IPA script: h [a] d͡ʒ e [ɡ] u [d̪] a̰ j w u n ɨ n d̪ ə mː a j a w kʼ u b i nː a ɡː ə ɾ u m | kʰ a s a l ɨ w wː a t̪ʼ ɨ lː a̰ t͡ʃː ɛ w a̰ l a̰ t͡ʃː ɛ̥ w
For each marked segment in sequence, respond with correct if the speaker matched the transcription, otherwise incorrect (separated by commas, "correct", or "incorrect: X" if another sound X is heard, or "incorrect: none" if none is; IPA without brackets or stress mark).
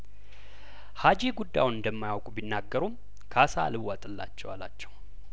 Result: correct, correct, incorrect: d̪ː